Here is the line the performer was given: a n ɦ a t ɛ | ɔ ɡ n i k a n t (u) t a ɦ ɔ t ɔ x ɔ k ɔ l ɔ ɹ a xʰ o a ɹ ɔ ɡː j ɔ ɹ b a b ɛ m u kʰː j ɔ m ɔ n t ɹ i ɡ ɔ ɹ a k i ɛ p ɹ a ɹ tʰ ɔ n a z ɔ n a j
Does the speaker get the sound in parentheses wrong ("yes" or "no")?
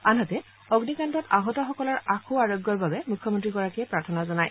yes